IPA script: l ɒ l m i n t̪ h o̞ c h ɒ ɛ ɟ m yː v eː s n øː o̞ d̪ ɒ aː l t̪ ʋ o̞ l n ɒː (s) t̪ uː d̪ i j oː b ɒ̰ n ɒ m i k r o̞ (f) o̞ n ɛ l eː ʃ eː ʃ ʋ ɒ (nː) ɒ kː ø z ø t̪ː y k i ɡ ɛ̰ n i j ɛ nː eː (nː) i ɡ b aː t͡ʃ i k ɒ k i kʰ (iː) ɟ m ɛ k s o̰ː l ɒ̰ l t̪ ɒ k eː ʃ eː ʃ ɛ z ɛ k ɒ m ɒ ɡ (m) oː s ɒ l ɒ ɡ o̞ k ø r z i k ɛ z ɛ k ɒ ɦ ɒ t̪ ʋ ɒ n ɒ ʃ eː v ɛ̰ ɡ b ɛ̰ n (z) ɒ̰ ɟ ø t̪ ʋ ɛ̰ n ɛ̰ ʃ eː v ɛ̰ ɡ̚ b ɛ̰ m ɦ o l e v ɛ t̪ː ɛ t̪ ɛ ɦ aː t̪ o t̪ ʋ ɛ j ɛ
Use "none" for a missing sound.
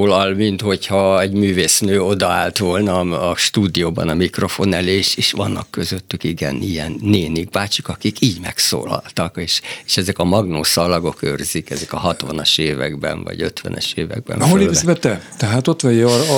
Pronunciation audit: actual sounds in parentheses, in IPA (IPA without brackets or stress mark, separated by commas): ʃ, f, nː, n, iː, n, v